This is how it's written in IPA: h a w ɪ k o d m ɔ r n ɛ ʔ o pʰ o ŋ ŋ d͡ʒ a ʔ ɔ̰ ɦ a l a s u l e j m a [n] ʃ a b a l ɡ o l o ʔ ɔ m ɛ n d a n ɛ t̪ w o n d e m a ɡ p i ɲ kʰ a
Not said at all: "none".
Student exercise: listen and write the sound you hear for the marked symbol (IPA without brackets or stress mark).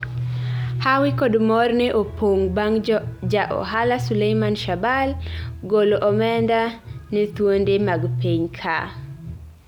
n